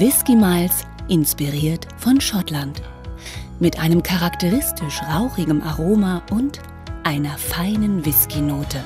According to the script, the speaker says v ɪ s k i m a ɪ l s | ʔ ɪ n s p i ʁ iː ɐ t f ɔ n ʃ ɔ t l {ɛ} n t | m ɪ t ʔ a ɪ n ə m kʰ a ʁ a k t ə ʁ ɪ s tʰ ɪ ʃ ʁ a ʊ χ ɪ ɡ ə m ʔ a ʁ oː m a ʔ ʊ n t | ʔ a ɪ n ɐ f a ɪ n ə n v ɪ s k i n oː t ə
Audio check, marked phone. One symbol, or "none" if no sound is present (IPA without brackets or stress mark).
a